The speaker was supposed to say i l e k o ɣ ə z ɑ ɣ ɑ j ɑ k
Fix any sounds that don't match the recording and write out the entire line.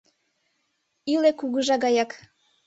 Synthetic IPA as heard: i l e k u ɣ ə ʒ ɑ ɣ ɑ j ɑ k